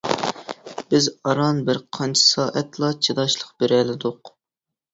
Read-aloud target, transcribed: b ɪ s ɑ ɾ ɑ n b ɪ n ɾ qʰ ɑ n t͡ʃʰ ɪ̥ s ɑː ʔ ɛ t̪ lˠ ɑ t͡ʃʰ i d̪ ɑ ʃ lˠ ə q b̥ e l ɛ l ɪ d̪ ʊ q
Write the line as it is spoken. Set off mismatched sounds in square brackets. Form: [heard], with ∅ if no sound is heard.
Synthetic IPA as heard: b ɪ [z] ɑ ɾ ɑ n b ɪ [∅] ɾ qʰ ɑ n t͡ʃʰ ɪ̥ s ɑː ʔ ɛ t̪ lˠ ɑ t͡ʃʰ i d̪ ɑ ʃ lˠ ə q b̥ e [ɾ] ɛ l ɪ d̪ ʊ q